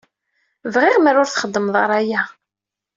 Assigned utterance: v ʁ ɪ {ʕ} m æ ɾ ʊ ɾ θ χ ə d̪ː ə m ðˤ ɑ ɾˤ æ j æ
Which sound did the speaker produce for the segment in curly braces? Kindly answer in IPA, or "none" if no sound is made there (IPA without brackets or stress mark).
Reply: ʁ